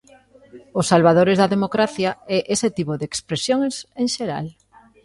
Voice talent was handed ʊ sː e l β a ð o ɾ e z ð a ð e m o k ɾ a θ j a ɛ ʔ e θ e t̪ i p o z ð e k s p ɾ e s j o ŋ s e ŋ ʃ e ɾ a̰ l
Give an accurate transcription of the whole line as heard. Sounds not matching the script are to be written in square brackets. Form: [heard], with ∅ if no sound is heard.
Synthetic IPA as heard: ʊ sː [a] l β a ð o ɾ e z ð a ð e m o k ɾ a θ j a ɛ ʔ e [s] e t̪ i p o [∅] ð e k s p ɾ e s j o ŋ s e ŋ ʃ e ɾ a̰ l